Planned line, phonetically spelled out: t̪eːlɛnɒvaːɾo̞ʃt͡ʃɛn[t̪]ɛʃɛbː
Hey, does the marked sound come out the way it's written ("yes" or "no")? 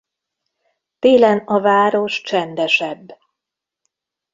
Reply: no